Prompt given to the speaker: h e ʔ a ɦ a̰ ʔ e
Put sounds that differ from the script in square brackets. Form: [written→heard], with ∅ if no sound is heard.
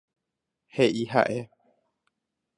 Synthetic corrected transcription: h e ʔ [a→i] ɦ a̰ ʔ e